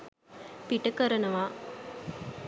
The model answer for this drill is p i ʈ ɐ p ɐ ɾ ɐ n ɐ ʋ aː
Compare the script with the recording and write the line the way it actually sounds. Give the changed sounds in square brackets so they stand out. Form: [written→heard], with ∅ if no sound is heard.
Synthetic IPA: p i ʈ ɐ [p→k] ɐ ɾ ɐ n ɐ ʋ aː